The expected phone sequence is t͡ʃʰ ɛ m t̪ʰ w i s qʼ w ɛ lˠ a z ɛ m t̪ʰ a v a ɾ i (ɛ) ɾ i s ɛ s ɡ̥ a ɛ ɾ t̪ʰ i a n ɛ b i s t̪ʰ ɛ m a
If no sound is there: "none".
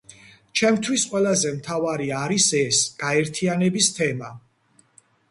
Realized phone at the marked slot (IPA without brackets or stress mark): a